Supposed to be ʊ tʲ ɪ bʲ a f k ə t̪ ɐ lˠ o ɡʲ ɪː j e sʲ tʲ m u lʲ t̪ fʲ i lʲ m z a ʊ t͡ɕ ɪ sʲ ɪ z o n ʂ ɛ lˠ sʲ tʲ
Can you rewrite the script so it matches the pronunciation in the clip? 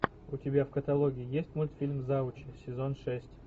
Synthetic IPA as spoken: ʊ tʲ ɪ bʲ a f k ə t̪ ɐ lˠ o ɡʲ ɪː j e sʲ tʲ m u lʲ t̪ fʲ i lʲ m z a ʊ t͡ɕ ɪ sʲ ɪ z o n ʂ ɛ sʲ tʲ